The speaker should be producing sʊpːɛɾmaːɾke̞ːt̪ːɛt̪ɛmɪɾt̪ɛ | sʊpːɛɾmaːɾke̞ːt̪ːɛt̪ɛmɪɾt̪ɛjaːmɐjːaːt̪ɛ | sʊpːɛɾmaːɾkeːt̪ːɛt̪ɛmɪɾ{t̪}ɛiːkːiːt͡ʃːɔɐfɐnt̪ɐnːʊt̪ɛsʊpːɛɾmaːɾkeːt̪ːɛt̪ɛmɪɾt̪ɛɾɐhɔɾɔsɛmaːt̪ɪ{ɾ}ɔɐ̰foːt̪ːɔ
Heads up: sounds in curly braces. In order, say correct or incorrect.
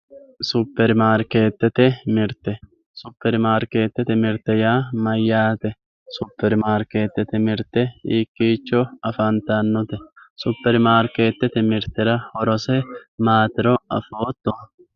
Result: correct, correct

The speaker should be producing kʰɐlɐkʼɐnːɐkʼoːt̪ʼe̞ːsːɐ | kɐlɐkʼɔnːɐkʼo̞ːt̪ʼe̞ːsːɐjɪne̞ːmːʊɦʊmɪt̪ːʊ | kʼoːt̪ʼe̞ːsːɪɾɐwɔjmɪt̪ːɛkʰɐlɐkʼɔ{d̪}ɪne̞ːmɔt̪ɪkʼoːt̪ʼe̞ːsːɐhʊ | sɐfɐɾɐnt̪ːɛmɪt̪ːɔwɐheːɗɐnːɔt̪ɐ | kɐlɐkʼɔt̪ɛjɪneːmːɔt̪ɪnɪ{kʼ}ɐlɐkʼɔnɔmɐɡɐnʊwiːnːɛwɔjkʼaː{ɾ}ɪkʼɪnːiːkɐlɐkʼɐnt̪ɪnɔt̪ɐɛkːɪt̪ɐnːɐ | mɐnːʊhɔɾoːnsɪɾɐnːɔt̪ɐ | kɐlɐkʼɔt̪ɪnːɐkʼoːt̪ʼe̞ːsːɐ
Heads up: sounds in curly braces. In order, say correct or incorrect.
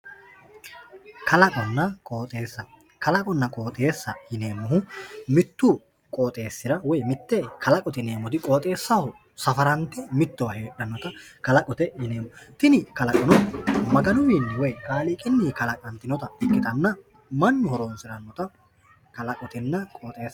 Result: incorrect: t̪, incorrect: k, incorrect: l

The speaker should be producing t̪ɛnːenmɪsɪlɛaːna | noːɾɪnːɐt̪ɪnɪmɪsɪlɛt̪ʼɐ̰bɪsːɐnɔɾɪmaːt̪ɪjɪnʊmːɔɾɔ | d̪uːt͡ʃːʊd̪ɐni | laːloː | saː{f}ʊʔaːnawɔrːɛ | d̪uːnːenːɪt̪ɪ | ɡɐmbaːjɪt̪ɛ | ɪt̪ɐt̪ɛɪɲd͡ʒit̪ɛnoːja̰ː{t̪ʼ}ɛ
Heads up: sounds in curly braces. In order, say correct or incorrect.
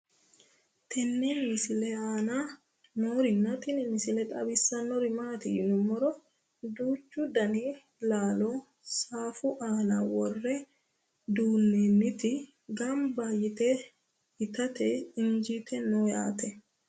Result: correct, incorrect: t̪

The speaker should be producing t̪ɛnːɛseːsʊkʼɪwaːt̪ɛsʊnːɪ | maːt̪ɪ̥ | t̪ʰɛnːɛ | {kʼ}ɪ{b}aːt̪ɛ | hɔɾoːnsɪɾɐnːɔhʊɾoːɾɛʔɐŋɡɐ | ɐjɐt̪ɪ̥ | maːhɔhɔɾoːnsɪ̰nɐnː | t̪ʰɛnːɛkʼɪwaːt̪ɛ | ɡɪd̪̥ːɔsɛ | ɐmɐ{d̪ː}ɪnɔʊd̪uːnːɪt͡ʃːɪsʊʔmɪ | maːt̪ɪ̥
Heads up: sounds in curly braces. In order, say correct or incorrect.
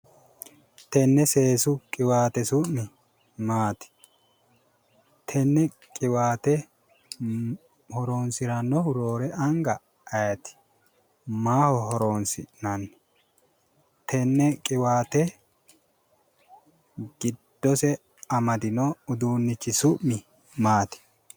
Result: correct, incorrect: w, incorrect: d̪

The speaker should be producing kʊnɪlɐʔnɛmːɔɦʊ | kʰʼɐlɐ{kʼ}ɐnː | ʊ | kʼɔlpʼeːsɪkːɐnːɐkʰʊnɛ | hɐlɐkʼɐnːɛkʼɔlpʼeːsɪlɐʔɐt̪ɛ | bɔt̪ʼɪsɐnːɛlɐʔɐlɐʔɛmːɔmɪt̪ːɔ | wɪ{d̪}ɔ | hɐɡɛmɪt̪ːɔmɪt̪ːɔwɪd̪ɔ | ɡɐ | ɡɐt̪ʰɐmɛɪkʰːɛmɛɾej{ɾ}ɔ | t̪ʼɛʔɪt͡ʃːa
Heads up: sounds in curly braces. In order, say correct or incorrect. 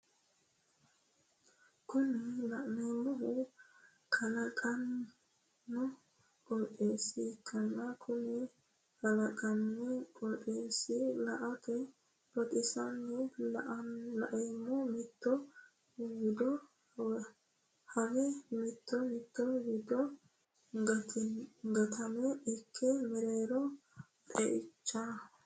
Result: correct, correct, correct

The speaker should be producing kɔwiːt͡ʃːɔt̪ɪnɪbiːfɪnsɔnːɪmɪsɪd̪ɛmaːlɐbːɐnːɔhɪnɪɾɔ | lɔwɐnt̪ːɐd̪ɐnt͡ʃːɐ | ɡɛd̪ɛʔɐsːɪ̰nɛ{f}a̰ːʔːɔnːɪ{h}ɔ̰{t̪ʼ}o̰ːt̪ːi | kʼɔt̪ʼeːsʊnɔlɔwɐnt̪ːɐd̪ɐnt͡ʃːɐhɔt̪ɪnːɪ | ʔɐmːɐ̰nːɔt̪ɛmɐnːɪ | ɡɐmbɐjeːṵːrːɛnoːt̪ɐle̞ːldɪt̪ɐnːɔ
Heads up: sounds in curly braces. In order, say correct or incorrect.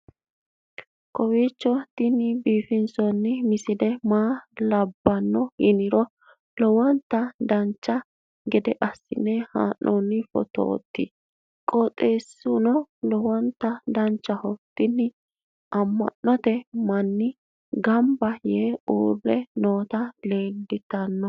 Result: incorrect: h, incorrect: f, incorrect: t̪

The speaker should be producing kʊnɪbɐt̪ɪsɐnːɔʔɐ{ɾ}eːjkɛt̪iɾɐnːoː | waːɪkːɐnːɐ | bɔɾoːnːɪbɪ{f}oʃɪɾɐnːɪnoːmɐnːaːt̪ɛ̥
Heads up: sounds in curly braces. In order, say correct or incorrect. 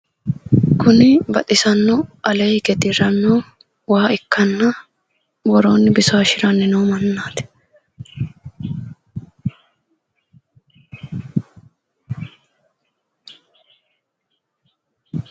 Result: incorrect: l, incorrect: s

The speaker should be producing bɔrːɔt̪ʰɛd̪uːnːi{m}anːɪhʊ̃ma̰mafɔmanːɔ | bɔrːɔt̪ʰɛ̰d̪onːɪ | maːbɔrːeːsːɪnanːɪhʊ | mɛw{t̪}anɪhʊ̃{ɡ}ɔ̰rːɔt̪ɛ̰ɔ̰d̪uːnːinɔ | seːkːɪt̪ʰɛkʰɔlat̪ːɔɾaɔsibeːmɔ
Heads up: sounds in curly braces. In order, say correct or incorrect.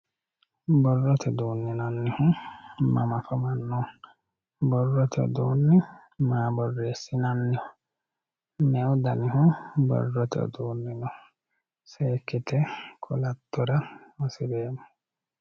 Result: incorrect: n, incorrect: d̪, incorrect: b

